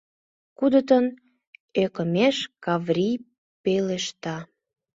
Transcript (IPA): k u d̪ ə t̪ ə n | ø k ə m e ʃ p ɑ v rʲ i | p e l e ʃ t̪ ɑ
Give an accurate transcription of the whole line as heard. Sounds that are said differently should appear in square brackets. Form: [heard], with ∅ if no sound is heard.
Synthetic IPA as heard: k u d̪ ə t̪ ə n | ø k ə m e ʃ [k] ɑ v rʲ i | p e l e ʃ t̪ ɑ